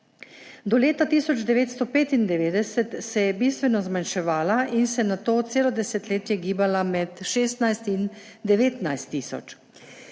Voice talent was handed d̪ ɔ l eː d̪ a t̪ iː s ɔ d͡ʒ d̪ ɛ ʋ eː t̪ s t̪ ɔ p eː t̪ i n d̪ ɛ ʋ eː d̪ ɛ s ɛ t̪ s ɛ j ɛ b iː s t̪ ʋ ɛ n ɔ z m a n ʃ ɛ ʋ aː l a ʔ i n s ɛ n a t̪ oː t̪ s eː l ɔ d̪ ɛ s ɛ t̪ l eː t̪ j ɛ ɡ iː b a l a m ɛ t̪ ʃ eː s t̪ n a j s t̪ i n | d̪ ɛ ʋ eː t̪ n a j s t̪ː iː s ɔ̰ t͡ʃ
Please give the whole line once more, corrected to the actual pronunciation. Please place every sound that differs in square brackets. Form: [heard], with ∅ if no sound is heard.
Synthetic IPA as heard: d̪ ɔ l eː [t̪] a t̪ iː s ɔ d͡ʒ d̪ ɛ ʋ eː t̪ s t̪ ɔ p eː t̪ i n d̪ ɛ ʋ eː d̪ ɛ s ɛ t̪ s ɛ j ɛ b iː s t̪ ʋ ɛ n ɔ z m a n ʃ ɛ ʋ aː l a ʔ i n s ɛ n a t̪ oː t̪ s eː l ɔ d̪ ɛ s ɛ t̪ l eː t̪ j ɛ ɡ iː b a l a m ɛ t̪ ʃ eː s t̪ n a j s t̪ i n | d̪ ɛ ʋ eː t̪ n a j s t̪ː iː s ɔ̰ t͡ʃ